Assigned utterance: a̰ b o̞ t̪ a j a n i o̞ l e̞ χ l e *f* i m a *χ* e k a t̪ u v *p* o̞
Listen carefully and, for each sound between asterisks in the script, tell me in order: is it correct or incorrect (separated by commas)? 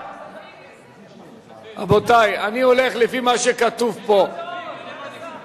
correct, incorrect, correct